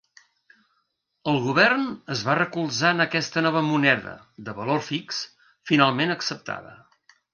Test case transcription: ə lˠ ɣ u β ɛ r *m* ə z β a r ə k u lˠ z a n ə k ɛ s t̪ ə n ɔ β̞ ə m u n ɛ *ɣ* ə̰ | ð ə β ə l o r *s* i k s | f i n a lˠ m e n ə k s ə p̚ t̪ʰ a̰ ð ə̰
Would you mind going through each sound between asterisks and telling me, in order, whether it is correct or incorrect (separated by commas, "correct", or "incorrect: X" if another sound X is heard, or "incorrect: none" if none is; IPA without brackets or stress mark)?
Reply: incorrect: n, incorrect: ð, incorrect: f